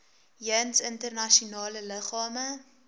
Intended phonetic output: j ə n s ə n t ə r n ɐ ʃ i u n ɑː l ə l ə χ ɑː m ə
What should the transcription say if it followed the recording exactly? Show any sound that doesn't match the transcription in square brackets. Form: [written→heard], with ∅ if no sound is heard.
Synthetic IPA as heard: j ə n s ə n t ə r n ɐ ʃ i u n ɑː l ə l ə χ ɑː m ə